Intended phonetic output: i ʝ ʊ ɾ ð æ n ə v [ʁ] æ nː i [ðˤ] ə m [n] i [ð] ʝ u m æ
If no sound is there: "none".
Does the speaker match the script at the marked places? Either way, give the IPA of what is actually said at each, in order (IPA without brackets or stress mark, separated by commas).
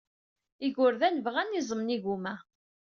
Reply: ʁ, zˤ, n, none